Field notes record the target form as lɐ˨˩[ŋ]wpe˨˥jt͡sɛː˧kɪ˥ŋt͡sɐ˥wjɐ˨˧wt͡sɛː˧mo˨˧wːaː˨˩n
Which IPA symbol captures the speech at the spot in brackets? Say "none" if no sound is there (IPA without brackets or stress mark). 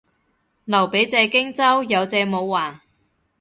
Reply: none